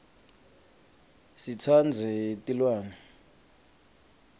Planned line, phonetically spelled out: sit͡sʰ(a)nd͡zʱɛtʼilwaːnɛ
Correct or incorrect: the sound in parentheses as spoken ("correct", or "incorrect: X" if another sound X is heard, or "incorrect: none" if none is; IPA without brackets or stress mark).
correct